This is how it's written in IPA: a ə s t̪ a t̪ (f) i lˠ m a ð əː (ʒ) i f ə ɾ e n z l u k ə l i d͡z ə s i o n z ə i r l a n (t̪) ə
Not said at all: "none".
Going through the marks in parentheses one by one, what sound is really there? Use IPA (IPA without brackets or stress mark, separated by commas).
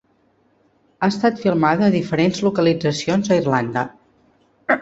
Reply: f, ð, d̪